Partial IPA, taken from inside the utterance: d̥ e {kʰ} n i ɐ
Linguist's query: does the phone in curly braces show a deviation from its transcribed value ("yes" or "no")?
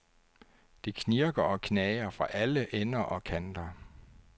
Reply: no